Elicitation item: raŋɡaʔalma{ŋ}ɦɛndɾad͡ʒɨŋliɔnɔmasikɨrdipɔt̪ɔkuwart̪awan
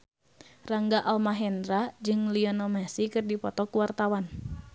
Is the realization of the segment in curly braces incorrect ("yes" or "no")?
yes